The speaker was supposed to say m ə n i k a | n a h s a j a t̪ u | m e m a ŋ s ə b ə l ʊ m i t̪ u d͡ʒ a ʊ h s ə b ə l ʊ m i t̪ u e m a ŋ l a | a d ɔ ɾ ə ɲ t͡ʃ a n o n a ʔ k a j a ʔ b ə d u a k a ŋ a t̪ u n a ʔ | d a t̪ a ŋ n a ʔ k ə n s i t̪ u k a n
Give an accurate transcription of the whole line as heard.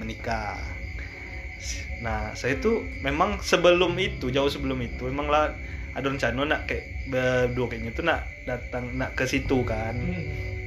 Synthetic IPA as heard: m ə n i k a | n a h s a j a t̪ u | m e m a ŋ s ə b ə l ʊ m i t̪ u d͡ʒ a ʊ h s ə b ə l ʊ m i t̪ u e m a ŋ l a | a d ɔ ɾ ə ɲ t͡ʃ a n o n a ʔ k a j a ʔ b ə d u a k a ɲ a t̪ u n a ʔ | d a t̪ a ŋ n a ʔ k ə s i t̪ u k a n